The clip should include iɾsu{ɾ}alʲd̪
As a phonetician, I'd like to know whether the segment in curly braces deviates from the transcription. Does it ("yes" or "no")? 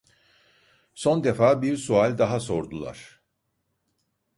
yes